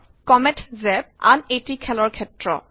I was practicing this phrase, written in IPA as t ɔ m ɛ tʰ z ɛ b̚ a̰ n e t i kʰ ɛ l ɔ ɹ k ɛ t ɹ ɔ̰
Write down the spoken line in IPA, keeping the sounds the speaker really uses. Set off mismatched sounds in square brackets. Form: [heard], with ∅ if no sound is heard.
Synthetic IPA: [k] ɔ m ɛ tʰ z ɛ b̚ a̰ n e t i kʰ ɛ l ɔ ɹ [kʰ] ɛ t ɹ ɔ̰